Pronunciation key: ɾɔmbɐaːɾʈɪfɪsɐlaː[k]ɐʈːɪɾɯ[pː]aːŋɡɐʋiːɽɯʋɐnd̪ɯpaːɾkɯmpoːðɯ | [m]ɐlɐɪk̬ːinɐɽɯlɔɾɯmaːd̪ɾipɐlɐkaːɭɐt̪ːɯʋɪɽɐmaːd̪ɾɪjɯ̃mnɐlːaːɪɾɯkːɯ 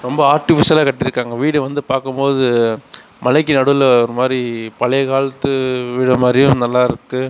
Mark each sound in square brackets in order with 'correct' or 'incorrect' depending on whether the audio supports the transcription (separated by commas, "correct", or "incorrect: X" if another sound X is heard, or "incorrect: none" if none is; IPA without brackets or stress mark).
correct, incorrect: kː, correct